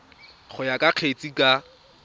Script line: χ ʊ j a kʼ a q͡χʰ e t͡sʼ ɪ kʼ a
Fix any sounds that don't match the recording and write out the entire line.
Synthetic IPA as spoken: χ ʊ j a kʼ a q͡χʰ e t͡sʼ i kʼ a